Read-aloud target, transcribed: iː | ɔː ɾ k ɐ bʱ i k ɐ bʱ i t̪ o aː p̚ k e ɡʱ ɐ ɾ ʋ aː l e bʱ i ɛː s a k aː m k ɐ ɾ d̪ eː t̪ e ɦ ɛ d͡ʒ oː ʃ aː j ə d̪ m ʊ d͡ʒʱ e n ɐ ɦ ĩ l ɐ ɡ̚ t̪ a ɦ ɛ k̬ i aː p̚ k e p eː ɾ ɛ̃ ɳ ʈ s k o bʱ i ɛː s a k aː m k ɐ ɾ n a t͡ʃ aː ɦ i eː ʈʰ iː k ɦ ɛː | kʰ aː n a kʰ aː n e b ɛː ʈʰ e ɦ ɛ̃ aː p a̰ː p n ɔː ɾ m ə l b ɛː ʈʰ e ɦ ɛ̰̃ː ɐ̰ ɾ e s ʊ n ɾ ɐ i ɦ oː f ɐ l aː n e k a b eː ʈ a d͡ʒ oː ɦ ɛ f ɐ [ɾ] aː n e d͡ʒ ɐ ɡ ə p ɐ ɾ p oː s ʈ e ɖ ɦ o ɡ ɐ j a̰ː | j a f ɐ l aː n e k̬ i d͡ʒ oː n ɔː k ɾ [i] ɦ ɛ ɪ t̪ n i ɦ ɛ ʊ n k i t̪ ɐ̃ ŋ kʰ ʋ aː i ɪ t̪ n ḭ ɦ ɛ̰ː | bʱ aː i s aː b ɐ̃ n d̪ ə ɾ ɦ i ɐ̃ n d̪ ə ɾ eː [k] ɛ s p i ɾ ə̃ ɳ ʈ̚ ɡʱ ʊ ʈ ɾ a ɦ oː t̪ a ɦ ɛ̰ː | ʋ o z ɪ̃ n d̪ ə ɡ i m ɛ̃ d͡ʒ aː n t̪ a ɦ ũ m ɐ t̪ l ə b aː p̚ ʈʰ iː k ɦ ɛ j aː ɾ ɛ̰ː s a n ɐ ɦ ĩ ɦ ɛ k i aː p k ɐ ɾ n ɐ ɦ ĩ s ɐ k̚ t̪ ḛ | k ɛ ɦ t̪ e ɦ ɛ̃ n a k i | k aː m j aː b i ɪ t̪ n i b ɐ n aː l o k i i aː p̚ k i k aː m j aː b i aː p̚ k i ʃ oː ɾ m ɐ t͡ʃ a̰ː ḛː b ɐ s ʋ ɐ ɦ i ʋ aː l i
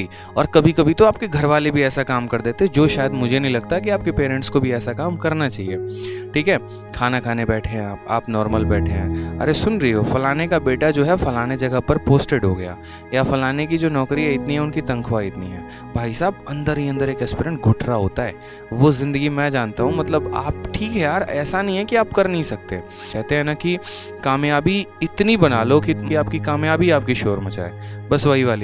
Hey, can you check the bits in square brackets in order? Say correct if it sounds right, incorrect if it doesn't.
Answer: incorrect: l, correct, correct

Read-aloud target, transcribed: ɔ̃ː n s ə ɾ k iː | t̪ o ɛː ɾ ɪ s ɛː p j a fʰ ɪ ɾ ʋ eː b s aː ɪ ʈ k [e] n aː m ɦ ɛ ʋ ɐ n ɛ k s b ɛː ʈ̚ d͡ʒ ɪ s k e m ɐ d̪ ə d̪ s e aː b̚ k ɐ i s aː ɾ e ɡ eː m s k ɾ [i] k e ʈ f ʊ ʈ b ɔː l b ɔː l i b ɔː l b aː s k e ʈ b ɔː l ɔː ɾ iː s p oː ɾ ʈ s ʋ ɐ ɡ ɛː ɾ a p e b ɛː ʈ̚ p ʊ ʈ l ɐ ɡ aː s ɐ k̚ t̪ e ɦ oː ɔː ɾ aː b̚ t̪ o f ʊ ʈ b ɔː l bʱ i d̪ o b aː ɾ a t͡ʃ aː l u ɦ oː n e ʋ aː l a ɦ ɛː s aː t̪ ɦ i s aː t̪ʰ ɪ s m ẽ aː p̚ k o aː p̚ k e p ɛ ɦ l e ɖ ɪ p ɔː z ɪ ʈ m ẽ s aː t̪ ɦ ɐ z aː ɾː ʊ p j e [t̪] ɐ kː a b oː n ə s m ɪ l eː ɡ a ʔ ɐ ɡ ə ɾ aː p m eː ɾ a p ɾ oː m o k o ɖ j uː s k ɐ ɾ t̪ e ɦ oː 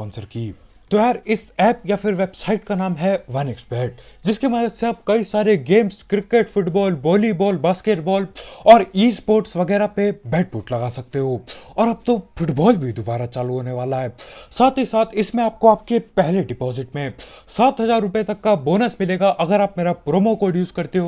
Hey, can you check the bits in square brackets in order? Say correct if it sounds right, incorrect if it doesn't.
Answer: incorrect: a, incorrect: ɪ, correct

